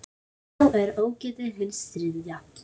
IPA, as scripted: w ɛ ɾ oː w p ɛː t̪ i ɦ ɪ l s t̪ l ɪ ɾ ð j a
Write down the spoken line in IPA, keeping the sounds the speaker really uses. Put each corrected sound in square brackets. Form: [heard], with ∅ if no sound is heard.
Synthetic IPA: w ɛ ɾ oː w [c] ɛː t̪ [ɪ] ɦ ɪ l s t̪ [ɾ] ɪ [∅] ð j a